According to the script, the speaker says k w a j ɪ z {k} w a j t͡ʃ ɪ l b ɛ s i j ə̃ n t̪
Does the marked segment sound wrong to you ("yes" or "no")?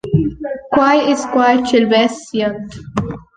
no